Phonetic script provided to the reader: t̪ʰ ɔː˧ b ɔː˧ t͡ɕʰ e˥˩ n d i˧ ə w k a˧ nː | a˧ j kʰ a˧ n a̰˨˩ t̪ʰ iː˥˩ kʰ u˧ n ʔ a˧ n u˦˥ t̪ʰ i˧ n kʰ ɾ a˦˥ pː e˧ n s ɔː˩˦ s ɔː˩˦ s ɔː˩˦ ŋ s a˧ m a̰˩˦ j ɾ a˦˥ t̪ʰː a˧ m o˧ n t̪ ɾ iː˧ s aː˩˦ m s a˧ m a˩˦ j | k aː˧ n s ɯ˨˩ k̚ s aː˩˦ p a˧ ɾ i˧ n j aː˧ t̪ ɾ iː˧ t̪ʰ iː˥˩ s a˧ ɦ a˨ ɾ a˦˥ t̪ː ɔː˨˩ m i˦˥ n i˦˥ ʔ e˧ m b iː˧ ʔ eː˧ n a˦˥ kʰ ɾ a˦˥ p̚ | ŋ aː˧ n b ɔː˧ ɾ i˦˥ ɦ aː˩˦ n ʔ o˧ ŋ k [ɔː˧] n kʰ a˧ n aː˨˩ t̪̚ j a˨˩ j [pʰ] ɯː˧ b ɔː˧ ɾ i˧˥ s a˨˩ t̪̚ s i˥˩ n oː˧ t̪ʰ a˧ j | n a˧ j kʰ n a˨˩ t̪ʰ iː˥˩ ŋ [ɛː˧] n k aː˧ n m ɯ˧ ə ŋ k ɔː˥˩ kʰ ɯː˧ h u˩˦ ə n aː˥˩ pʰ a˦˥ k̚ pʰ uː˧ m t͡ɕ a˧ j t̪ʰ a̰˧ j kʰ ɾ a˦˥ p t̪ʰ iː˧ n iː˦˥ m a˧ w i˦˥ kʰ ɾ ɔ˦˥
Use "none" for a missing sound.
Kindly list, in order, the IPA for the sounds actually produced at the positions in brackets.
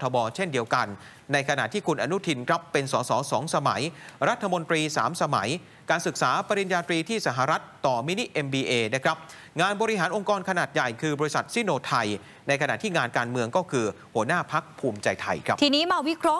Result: ɔː˧, kʰ, aː˧

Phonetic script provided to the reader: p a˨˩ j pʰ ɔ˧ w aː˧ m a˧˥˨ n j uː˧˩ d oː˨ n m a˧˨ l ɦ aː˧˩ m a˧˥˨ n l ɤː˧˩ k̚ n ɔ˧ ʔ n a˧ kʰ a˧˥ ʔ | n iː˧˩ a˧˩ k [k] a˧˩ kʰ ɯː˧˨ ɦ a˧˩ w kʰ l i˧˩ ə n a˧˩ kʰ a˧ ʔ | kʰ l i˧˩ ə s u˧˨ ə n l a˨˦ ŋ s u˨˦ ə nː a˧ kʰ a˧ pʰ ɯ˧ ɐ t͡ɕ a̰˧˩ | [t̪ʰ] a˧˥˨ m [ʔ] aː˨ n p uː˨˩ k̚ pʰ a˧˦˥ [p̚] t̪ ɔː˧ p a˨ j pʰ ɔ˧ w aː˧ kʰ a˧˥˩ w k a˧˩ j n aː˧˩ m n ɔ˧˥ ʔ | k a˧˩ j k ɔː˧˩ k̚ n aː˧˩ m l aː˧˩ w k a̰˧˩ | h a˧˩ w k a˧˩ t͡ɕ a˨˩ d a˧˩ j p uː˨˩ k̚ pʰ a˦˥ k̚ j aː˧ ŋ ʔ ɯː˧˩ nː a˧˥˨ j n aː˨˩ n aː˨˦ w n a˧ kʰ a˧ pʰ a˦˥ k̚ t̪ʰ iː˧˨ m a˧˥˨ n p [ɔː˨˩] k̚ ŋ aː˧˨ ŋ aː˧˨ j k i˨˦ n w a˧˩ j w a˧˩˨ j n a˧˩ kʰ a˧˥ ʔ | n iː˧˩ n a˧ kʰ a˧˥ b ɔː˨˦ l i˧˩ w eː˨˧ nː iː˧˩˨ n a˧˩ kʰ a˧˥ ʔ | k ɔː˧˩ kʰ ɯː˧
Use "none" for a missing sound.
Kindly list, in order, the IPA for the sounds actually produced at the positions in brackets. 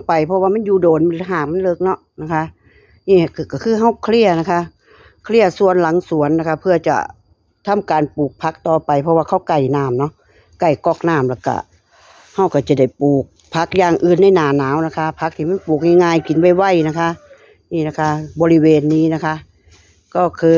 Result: k, t̪ʰ, k, k̚, uː˨˩

